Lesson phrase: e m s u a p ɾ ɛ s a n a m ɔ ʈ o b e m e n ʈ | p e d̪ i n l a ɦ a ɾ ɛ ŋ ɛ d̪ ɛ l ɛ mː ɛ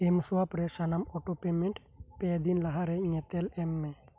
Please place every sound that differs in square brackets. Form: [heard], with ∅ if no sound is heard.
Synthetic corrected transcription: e m s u a p ɾ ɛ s a n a m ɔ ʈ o [p] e m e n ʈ | p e d̪ i n l a ɦ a ɾ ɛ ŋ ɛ [t̪] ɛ l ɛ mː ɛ